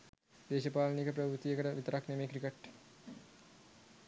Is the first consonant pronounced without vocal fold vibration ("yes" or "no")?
no